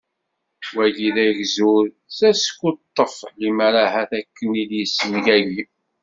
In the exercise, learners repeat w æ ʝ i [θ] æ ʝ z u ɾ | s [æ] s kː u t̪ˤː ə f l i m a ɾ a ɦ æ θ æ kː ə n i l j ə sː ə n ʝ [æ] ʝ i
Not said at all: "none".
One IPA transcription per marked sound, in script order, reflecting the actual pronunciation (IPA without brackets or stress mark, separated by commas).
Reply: ð, æ, æ